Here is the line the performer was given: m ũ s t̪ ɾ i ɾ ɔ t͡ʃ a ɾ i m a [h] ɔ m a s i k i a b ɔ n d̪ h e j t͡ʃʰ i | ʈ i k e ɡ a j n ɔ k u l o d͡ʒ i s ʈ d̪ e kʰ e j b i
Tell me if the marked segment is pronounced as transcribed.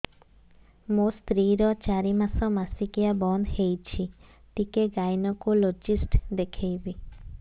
no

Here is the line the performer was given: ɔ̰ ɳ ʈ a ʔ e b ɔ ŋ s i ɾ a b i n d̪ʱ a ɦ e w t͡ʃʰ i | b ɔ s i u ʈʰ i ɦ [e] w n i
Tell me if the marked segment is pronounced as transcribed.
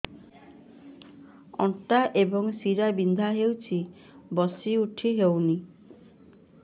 yes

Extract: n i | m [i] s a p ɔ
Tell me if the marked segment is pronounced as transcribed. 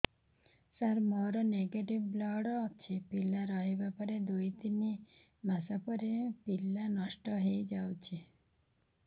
no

